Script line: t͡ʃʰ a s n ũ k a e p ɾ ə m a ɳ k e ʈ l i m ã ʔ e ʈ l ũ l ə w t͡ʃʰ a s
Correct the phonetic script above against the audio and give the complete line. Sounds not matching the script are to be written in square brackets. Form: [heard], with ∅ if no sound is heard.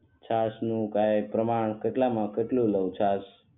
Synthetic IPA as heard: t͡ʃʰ a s n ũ k a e p ɾ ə m a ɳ k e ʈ l [a] m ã [k] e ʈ l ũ l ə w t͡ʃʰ a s